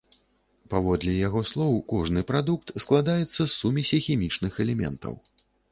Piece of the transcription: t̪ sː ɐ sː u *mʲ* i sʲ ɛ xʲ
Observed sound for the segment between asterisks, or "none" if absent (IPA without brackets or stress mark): mʲ